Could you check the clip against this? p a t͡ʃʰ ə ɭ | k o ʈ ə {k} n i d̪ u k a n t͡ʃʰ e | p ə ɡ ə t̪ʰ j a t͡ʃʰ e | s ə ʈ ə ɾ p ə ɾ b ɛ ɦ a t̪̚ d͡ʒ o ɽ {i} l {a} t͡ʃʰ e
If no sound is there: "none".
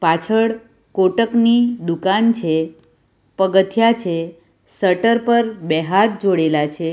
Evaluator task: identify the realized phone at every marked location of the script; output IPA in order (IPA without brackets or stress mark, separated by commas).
k, e, a